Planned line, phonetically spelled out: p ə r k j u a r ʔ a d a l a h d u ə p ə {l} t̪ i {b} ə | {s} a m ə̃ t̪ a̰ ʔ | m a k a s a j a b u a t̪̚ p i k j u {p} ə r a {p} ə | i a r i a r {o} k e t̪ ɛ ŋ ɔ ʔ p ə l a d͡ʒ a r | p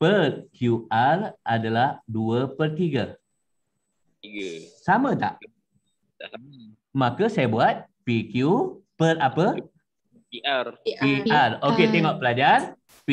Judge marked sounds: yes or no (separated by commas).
no, no, yes, yes, yes, yes